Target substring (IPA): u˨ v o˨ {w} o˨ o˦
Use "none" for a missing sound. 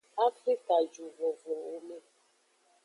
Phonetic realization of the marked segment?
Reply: v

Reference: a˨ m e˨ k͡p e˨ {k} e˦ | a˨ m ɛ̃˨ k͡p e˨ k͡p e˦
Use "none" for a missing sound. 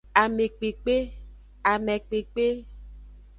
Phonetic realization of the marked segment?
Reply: k͡p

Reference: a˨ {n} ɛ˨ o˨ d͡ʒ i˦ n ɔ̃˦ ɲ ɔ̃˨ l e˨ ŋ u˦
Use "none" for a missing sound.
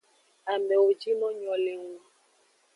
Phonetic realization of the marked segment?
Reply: m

